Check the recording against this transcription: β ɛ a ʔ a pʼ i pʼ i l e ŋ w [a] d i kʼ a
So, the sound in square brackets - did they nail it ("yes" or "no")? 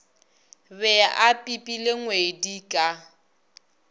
no